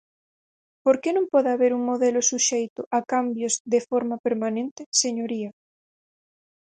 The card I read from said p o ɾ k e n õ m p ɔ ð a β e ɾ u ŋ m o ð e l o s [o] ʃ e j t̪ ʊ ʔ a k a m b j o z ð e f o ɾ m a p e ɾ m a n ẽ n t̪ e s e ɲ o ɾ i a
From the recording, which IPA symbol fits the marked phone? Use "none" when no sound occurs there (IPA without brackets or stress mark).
u